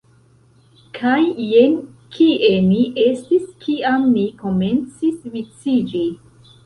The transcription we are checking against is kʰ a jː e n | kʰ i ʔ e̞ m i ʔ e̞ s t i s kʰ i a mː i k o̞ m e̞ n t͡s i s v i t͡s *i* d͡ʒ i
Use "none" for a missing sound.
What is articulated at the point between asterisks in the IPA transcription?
i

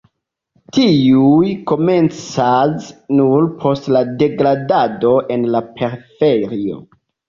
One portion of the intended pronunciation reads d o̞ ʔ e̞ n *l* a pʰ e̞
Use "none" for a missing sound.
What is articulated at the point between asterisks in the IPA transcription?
l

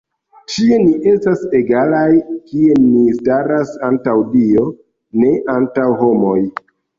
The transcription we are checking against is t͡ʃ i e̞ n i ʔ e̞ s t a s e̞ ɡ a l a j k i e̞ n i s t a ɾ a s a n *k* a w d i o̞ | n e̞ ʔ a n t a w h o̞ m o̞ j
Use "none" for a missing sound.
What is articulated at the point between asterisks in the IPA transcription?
t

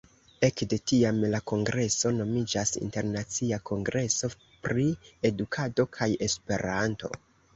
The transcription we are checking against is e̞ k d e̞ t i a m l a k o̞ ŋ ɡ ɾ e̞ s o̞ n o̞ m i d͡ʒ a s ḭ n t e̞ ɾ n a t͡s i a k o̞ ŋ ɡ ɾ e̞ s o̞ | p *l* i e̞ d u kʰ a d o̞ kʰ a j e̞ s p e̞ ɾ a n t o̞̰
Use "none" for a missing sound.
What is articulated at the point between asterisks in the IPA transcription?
ɾ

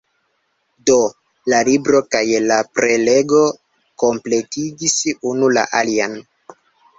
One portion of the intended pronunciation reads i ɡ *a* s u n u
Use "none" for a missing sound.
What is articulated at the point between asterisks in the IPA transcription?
i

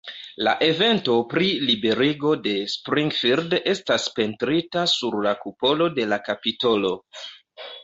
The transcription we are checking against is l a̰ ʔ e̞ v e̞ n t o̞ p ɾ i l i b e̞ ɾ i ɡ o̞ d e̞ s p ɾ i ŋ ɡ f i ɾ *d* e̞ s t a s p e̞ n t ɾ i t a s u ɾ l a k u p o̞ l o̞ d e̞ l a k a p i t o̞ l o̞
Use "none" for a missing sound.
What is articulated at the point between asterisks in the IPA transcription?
d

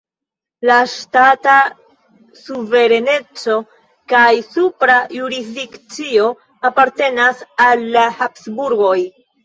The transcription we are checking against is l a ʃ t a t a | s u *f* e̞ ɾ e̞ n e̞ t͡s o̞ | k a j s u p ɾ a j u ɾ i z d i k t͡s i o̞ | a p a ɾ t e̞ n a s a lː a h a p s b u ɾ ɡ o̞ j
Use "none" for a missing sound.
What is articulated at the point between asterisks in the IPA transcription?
v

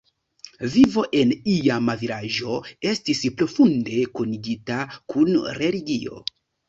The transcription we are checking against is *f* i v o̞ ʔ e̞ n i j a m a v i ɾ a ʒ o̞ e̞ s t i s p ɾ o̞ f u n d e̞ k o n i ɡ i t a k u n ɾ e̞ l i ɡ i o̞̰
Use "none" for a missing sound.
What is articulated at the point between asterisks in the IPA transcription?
v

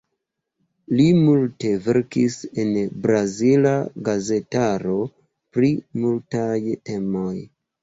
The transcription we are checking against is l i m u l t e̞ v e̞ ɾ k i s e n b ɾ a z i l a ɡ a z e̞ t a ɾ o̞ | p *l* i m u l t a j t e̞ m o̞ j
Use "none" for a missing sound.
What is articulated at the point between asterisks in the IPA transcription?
ɾ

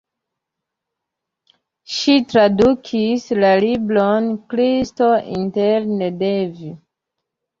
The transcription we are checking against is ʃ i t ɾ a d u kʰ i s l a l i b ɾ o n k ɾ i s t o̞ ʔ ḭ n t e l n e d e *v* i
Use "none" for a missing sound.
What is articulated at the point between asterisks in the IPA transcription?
v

